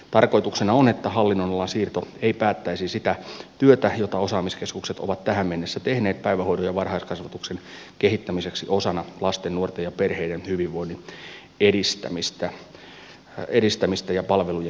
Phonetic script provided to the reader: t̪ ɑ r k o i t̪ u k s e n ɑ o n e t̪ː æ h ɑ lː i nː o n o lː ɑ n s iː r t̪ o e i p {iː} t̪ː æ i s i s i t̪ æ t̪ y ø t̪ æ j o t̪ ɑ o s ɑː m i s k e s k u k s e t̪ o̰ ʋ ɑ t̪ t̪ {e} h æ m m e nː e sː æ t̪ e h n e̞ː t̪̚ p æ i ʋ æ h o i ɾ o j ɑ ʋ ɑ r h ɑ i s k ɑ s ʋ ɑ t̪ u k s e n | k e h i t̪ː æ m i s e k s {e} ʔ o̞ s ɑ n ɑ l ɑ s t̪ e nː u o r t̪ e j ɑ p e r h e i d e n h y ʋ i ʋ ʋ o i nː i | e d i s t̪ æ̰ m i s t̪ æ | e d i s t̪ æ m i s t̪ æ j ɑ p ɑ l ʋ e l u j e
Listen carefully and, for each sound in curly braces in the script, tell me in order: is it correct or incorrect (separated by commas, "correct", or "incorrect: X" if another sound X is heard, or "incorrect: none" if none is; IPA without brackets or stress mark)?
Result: incorrect: æː, incorrect: æ, incorrect: i